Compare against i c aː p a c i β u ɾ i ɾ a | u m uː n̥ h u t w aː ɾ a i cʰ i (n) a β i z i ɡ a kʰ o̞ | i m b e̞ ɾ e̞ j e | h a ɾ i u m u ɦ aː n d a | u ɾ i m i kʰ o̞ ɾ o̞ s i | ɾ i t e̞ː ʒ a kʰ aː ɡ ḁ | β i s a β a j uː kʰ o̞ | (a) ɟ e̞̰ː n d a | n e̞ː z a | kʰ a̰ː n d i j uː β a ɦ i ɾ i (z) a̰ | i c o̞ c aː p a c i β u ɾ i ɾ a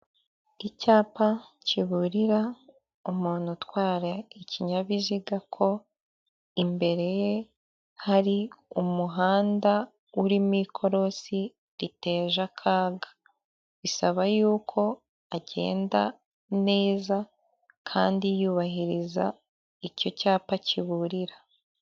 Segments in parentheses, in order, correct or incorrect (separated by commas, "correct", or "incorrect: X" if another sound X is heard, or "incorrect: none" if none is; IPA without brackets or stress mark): incorrect: ɲ, correct, correct